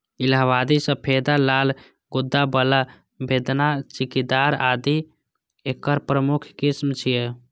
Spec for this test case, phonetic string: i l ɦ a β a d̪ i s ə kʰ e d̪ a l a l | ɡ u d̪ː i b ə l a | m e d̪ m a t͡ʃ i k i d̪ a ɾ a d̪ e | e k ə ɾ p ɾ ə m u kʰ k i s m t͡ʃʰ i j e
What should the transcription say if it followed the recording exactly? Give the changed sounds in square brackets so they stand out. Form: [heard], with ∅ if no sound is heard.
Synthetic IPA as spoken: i l ɦ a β a d̪ i s ə [pʰ] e d̪ a l a l | ɡ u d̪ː [a] b ə l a | [b] e d̪ [n] a t͡ʃ i k i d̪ a ɾ a d̪ [i] | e k ə ɾ p ɾ ə m u kʰ k i s m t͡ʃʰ i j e